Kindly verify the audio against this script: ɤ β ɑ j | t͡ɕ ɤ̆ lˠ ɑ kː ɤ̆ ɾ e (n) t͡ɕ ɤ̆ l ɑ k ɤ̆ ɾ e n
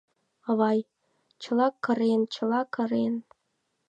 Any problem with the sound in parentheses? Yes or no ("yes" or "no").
no